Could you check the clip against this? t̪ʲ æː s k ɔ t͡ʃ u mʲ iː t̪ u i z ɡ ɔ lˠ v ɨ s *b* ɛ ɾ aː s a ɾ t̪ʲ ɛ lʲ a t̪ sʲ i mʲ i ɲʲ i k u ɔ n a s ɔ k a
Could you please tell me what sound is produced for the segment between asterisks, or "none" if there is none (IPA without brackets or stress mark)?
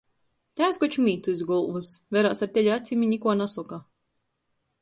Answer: v